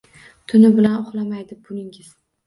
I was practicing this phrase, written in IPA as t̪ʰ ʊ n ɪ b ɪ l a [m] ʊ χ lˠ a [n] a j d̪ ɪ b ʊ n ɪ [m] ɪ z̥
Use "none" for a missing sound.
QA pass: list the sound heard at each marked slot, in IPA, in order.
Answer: n, m, ŋ

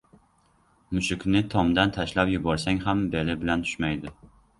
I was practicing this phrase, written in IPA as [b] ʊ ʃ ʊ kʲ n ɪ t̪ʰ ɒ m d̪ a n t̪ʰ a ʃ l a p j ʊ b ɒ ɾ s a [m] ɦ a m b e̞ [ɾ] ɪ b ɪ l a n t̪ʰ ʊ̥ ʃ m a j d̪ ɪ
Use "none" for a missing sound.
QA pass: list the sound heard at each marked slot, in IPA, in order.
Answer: m, ŋ, l

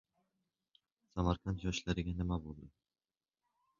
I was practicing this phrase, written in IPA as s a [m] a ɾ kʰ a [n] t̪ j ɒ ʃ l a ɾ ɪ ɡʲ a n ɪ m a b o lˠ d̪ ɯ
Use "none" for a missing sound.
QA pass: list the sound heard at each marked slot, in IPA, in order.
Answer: m, n

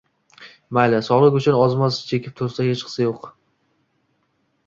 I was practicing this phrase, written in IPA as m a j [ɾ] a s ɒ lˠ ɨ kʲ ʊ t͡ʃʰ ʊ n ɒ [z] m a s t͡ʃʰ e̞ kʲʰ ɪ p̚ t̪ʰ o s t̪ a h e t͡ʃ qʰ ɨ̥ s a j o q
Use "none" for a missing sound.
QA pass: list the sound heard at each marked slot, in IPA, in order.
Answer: l, z

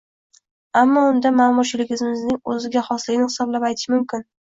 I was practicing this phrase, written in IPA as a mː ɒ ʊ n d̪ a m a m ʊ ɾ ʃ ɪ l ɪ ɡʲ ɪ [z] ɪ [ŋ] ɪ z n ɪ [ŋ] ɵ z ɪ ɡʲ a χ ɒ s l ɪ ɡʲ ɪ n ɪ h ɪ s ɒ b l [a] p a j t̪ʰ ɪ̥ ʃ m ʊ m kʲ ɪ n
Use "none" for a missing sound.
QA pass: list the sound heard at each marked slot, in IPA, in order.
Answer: z, m, ŋ, a

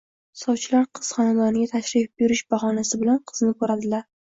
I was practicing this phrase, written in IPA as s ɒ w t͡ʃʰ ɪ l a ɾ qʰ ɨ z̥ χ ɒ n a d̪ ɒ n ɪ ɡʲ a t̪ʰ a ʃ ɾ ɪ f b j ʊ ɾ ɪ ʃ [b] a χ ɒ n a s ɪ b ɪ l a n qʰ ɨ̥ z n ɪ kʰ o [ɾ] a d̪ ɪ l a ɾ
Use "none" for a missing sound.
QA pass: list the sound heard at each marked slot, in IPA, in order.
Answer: b, ɾ

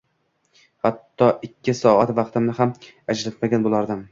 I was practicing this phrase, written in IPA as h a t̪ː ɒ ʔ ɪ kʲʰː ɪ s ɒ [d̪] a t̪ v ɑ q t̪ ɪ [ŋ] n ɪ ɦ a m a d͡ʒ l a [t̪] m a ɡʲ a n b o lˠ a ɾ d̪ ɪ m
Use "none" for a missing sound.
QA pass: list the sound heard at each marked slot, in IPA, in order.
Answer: none, m, t̪

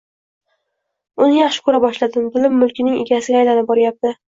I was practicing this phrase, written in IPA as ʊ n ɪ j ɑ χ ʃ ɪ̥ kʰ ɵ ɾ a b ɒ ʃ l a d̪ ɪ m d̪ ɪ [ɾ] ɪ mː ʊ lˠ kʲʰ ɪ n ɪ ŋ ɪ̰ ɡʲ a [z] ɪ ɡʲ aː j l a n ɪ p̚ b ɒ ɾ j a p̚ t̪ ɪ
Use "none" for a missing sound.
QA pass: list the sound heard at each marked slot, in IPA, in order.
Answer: l, s

